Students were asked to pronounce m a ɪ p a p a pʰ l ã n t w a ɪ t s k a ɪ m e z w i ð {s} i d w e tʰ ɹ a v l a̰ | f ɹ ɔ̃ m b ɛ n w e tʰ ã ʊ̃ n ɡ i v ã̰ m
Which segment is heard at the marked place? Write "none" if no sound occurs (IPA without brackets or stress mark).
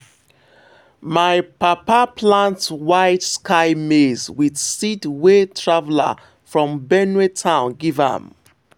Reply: s